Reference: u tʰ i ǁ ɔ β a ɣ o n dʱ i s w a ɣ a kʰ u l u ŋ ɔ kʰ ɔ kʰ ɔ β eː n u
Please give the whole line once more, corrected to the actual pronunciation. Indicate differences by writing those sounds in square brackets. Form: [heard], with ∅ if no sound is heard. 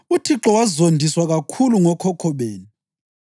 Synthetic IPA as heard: u tʰ i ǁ ɔ [w] a [z] o n dʱ i s w a ɣ a kʰ u l u ŋ ɔ kʰ ɔ kʰ ɔ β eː n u

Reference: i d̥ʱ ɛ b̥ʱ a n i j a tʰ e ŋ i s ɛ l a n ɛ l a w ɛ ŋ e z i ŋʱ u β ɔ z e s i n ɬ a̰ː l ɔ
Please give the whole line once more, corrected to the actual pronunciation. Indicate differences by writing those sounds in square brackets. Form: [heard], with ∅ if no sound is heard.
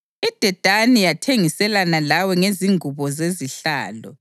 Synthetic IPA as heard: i d̥ʱ ɛ [d̥ʱ] a n i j a tʰ e ŋ i s ɛ l a n [a] l a w ɛ ŋ e z i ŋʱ u β ɔ z e [z] i [∅] ɬ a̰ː l ɔ

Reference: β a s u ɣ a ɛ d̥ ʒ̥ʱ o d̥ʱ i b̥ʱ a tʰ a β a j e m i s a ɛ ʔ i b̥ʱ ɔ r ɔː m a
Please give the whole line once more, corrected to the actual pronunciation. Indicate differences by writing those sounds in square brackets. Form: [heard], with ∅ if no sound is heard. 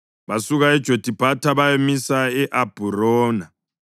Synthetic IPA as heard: β a s u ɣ a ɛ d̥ ʒ̥ʱ o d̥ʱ i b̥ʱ a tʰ a β a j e m i s a ɛ ʔ [a] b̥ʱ [u] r ɔː [n] a

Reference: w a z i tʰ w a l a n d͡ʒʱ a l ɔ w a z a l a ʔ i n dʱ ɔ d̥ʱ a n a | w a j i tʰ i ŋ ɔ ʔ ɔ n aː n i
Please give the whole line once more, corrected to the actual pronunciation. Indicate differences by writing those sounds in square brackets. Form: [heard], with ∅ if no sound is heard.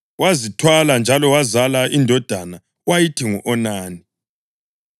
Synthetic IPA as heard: w a z i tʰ w a l a n d͡ʒʱ a l ɔ w a z a l a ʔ i n dʱ ɔ d̥ʱ a n a | w a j i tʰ i ŋ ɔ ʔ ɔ n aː n i

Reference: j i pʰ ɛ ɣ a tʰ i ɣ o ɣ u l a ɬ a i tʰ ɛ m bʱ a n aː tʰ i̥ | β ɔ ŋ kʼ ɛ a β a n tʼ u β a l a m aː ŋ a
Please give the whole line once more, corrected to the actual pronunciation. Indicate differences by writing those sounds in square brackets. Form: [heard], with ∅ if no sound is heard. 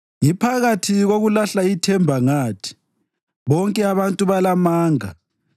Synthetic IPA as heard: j i pʰ [a] ɣ a tʰ i ɣ o ɣ u l a ɬ a i tʰ ɛ m bʱ a [ŋ] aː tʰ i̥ | β ɔ ŋ kʼ ɛ a β a n tʼ u β a l a m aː ŋ a

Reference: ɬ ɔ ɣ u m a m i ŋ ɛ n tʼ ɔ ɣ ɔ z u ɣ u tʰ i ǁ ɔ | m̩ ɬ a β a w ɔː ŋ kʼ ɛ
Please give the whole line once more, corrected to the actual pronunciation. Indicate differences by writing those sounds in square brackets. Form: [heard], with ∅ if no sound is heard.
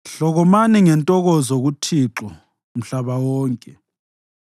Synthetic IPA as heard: ɬ ɔ ɣ [ɔ] m a [n] i ŋ ɛ n tʼ ɔ ɣ ɔ z [o] ɣ u tʰ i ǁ ɔ | m̩ ɬ a β a w ɔː ŋ kʼ ɛ

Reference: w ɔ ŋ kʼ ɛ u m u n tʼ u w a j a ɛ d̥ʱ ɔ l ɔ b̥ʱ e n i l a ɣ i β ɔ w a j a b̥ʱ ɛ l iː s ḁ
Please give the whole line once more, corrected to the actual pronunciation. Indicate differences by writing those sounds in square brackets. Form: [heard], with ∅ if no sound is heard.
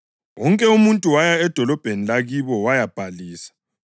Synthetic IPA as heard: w ɔ ŋ kʼ ɛ u m u n tʼ u w a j a ɛ d̥ʱ ɔ l ɔ b̥ʱ e n i l a ɣ i β ɔ w a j a b̥ʱ [a] l iː s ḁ

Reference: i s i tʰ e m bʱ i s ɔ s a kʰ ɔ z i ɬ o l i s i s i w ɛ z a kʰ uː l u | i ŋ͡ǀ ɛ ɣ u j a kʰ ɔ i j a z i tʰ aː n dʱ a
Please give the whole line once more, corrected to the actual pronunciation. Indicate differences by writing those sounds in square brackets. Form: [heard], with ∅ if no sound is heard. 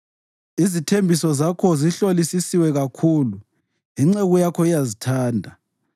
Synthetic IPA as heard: i [z] i tʰ e m bʱ i s ɔ [z] a kʰ ɔ z i ɬ o l i s i s i w ɛ [ɣ] a kʰ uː l u | i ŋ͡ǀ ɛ ɣ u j a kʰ ɔ i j a z i tʰ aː n dʱ a

